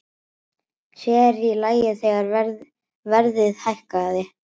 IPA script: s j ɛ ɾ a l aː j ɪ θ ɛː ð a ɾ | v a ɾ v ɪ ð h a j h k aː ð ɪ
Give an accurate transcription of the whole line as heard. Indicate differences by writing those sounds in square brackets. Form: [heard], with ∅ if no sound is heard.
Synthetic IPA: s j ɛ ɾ [i] l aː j ɪ θ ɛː [ɣ] a ɾ | v [ɛ] ɾ [ð] ɪ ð h a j h k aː ð ɪ